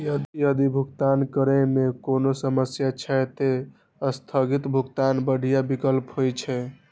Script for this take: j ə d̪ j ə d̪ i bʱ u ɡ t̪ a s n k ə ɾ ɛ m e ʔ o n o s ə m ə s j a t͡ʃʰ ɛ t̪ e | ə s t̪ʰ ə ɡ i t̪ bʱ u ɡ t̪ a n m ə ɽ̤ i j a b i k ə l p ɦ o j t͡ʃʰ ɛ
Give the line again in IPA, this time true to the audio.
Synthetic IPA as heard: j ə d̪ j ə d̪ i bʱ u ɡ t̪ a n k ə ɾ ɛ m e k o n o s ə m ə s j a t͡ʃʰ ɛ t̪ e | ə s t̪ʰ ə ɡ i t̪ bʱ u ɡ t̪ a n b ə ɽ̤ i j a b i k ə l p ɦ o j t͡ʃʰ ɛ